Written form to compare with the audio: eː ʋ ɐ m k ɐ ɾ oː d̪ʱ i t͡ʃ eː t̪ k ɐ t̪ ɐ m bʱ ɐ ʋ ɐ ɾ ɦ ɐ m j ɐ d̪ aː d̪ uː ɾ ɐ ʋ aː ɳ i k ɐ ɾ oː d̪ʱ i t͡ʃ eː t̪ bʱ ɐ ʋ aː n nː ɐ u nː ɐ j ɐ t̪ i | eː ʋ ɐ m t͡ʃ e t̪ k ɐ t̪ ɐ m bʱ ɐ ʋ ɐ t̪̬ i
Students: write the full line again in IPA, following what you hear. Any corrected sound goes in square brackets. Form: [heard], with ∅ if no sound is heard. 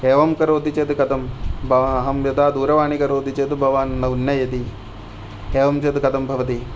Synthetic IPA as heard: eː ʋ ɐ m k ɐ ɾ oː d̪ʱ i t͡ʃ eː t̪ k ɐ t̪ ɐ m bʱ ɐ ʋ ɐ [∅] ɦ ɐ m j ɐ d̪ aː d̪ uː ɾ ɐ ʋ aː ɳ i k ɐ ɾ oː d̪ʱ i t͡ʃ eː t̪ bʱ ɐ ʋ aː n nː ɐ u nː ɐ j ɐ t̪ i | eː ʋ ɐ m t͡ʃ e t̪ k ɐ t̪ ɐ m bʱ ɐ ʋ ɐ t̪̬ i